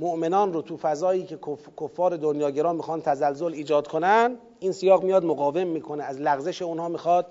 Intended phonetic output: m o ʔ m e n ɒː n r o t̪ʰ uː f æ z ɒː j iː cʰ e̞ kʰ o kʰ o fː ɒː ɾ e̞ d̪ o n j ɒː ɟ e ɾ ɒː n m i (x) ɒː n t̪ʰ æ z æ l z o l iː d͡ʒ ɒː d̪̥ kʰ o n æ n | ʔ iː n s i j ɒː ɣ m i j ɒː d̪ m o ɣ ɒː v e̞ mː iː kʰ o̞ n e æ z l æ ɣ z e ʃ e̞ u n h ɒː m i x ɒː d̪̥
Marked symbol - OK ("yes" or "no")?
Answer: yes